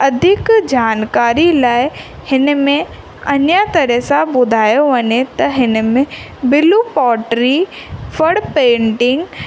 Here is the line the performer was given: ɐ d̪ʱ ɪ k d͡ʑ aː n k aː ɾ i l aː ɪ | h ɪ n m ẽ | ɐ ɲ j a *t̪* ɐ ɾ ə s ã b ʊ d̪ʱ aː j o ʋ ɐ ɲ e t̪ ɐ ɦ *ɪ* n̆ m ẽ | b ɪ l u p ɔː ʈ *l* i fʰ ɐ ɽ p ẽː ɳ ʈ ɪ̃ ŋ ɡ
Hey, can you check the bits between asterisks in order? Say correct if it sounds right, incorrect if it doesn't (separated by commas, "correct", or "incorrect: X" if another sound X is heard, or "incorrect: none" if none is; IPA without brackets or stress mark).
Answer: correct, correct, incorrect: ɾ